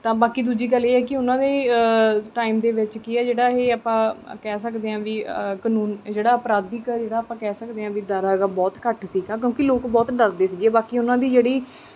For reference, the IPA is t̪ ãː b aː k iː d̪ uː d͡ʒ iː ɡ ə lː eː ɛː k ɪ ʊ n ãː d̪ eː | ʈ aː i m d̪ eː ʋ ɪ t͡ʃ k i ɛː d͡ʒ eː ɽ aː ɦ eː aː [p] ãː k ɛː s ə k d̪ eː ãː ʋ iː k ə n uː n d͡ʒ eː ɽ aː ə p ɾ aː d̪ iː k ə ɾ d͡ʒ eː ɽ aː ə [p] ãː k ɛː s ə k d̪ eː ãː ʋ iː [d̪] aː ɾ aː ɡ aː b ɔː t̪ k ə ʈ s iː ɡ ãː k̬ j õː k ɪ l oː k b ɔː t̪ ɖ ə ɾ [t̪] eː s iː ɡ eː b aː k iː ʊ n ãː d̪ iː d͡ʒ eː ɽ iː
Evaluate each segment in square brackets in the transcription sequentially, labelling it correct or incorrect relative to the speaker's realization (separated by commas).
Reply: correct, correct, correct, incorrect